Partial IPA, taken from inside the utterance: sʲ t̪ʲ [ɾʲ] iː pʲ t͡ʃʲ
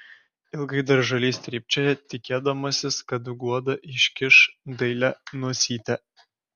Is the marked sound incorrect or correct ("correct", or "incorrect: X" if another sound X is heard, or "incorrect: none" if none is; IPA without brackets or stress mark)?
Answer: correct